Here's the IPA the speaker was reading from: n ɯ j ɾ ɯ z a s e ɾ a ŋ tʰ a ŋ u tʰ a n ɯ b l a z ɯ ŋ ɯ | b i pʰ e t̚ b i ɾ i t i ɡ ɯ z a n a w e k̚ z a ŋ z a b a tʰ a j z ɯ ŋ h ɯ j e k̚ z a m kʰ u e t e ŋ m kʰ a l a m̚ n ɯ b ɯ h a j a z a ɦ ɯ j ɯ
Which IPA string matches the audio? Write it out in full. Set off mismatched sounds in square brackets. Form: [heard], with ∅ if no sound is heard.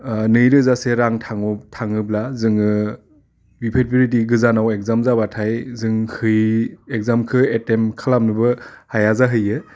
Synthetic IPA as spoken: n ɯ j ɾ ɯ z a s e ɾ a ŋ tʰ a ŋ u tʰ a [ŋ] ɯ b l a z ɯ ŋ ɯ | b i pʰ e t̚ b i ɾ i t i ɡ ɯ z a n a w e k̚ z a [m] z a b a tʰ a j z ɯ ŋ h ɯ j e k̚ z a m kʰ [ɯ] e t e [∅] m kʰ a l a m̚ n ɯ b ɯ h a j a z a ɦ ɯ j ɯ